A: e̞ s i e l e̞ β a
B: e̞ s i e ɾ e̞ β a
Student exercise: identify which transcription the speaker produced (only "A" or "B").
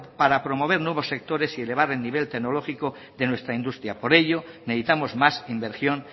A